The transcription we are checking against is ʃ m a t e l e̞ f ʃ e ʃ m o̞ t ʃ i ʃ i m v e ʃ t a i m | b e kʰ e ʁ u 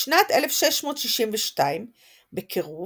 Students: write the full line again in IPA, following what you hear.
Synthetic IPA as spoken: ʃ n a t e l e̞ f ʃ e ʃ m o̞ t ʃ i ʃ i m v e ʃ t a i m | b e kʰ e ʁ u